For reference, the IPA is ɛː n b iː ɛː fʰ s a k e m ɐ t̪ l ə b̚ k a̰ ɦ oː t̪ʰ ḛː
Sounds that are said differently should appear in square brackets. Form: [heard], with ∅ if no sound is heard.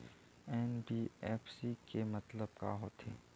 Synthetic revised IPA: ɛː n b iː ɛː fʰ s [i] k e m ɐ t̪ l ə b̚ k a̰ ɦ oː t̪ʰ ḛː